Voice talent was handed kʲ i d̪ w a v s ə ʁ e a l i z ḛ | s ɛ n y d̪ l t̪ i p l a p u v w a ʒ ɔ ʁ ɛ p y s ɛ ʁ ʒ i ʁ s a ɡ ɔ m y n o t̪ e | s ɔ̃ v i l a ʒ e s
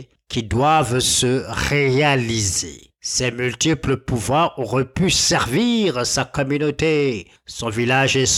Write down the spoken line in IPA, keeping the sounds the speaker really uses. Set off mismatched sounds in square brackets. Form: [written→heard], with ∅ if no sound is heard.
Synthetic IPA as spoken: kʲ i d̪ w a v s ə ʁ e a l i z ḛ | s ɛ [n→m] y [d̪→∅] l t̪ i p l [a→ə] p u v w a [ʒ→ʁ] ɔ ʁ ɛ p y s ɛ ʁ [ʒ→v] i ʁ s a [ɡ→k] ɔ m y n o t̪ e | s ɔ̃ v i l a ʒ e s